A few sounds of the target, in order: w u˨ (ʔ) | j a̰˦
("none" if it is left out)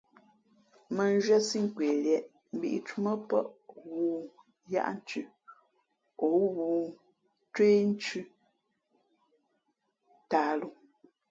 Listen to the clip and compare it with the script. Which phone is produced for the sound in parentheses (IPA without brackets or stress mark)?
none